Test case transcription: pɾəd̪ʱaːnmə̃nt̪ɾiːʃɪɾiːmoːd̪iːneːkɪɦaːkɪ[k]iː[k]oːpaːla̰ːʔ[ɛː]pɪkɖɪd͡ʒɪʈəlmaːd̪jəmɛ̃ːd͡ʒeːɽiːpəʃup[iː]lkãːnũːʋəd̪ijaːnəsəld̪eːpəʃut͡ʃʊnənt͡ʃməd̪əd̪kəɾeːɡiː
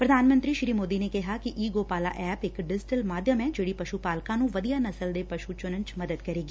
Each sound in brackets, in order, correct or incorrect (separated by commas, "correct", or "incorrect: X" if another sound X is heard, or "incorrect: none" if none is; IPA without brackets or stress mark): incorrect: ʔ, incorrect: ɡ, correct, incorrect: aː